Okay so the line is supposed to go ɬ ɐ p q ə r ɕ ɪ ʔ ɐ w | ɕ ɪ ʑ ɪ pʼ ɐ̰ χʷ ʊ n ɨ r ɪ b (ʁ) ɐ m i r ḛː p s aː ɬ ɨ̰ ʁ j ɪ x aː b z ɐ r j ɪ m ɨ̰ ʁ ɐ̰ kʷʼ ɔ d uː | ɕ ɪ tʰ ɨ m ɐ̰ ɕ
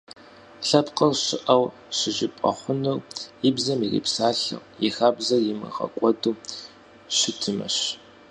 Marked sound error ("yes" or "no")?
yes